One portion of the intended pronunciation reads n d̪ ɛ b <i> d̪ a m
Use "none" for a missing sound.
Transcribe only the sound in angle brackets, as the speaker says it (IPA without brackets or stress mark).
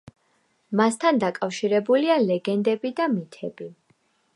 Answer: i